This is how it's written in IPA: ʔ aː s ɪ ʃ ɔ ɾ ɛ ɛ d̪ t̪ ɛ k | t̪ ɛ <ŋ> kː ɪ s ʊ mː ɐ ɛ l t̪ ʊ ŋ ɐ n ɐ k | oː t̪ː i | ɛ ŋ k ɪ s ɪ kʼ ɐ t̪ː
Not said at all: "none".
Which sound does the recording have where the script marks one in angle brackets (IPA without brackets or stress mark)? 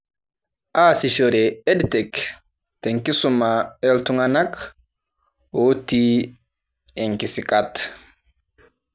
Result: ŋ